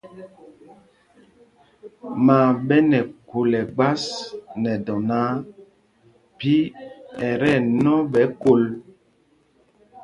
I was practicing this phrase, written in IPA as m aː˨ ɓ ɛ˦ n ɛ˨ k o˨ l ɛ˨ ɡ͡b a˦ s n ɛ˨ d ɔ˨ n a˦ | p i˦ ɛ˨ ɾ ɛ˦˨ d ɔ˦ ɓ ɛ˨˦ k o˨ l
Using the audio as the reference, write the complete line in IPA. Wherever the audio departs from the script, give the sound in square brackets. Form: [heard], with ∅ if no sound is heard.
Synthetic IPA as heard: m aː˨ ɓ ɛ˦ n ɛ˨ k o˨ l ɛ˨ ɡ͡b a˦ s n ɛ˨ d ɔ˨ n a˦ | p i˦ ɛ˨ ɾ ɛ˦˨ [n] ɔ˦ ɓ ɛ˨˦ k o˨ l